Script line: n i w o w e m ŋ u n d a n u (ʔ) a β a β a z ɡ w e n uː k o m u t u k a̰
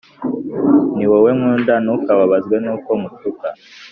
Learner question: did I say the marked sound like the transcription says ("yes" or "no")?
no